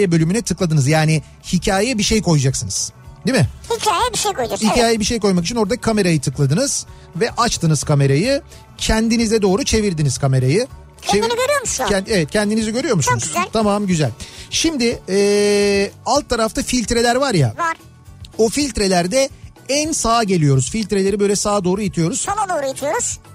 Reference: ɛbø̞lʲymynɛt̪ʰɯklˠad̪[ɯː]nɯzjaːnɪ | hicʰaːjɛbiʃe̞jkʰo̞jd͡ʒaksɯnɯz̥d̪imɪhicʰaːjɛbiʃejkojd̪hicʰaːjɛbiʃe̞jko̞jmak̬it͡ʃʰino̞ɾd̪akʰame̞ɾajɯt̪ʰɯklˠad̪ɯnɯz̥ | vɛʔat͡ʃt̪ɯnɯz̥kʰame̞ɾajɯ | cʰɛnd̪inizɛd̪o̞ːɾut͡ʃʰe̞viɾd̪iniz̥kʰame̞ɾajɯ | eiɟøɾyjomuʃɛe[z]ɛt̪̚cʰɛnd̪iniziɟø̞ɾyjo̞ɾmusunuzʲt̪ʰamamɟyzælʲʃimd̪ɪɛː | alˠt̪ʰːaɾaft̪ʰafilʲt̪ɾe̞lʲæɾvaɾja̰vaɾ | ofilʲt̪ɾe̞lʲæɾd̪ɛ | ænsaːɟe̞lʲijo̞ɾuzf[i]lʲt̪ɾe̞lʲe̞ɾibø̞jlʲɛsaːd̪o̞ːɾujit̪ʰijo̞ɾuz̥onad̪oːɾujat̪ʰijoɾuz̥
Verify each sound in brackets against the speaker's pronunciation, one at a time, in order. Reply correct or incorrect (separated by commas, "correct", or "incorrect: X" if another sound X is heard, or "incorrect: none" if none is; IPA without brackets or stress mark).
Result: incorrect: ɯ, incorrect: v, correct